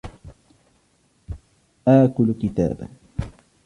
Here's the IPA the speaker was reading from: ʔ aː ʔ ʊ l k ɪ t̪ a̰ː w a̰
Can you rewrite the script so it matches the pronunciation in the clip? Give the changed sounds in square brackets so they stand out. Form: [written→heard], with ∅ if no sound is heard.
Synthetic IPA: ʔ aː [ʔ→k] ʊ l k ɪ t̪ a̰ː [w→b] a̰